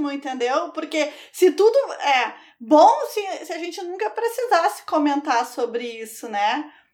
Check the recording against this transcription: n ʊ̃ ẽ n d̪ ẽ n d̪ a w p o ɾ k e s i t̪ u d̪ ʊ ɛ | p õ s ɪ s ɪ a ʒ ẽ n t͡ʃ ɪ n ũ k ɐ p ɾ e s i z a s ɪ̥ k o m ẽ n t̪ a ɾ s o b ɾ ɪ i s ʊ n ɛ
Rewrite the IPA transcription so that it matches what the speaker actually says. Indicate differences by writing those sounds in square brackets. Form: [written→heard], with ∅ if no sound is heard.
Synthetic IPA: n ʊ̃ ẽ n [d̪→t̪] ẽ n d̪ [a→e] w p o ɾ k e s [i→ɪ] t̪ u d̪ ʊ ɛ | [p→b] õ s ɪ s ɪ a ʒ ẽ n t͡ʃ ɪ n ũ k ɐ p ɾ e s i z a s ɪ̥ k o m ẽ n t̪ a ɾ s o b ɾ ɪ i s ʊ n ɛ